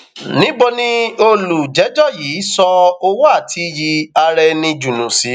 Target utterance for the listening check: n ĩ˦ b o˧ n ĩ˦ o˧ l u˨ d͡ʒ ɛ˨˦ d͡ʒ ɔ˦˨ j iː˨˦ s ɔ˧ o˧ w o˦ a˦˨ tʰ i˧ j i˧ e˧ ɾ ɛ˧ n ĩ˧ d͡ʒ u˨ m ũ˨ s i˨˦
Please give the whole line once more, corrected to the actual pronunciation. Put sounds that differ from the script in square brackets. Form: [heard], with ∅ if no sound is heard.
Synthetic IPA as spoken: n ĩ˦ b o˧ n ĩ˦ o˧ l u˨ d͡ʒ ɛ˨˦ d͡ʒ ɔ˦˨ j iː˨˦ s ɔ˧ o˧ w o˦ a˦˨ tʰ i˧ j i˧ [a˧] ɾ ɛ˧ n ĩ˧ d͡ʒ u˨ [n] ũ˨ s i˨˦